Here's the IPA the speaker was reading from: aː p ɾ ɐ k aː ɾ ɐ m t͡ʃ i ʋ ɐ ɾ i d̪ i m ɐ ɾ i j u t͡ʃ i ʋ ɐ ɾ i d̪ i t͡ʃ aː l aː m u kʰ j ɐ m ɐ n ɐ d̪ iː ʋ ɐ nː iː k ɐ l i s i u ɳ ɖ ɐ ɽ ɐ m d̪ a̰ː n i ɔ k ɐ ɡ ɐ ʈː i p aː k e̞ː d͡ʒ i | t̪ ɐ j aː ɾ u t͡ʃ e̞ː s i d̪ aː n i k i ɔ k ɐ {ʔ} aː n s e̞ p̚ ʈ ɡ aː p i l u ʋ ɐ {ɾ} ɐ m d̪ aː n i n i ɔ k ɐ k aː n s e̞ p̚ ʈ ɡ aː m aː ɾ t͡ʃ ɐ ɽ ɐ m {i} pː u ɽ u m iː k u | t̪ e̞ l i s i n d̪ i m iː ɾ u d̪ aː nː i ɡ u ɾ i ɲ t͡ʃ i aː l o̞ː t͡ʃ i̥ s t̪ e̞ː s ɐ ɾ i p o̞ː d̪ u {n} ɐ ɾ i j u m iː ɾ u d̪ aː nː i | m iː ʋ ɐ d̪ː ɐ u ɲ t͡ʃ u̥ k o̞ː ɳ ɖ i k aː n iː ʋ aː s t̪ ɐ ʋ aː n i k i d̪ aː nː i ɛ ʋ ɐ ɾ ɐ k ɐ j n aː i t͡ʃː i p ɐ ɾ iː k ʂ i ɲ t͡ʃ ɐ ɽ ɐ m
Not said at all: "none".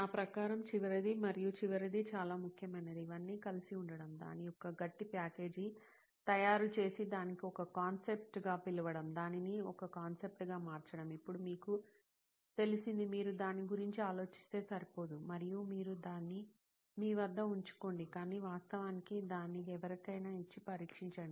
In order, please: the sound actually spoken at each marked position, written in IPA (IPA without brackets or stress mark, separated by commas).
k, ɽ, i, m